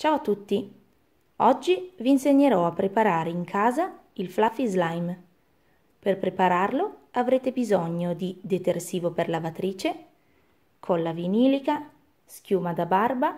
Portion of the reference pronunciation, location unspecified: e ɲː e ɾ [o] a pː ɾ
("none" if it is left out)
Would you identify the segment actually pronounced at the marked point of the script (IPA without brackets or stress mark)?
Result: ɔ